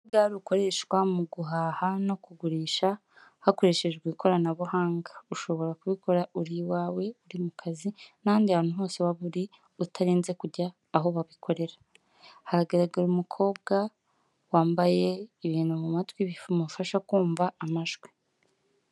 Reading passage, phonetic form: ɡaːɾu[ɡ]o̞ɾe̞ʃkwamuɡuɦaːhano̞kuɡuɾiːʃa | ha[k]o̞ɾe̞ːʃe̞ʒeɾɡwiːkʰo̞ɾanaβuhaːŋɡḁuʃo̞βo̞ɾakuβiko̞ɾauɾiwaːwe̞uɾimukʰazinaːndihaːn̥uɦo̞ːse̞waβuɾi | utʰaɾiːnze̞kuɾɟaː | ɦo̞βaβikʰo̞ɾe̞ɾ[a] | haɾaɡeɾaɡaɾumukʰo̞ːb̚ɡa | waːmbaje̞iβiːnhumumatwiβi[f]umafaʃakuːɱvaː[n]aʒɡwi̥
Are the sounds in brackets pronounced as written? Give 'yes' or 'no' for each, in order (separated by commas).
no, yes, yes, yes, no